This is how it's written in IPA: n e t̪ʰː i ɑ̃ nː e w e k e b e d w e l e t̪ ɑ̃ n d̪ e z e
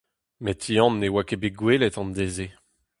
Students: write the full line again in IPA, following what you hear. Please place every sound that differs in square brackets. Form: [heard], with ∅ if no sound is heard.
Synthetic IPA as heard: [m] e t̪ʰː i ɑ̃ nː e w [a] k e b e [ɡ] w e l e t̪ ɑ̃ n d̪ e z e